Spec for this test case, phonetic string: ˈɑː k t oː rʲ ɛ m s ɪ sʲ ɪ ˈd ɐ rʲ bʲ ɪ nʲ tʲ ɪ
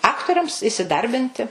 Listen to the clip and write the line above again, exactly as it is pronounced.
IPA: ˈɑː k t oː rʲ ɛ m s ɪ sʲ ɪ ˈd ɐ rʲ bʲ ɪ nʲ tʲ ɪ